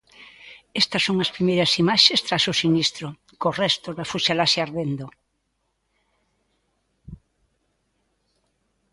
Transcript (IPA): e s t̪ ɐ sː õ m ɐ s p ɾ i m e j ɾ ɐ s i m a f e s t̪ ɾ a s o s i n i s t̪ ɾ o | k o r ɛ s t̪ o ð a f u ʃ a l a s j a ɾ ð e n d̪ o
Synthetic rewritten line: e s t̪ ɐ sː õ ŋ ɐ s p ɾ i m e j ɾ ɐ s i m a ʃ e s t̪ ɾ a s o s i n i s t̪ ɾ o | k o r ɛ s t̪ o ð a f u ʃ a l a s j a ɾ ð e n d̪ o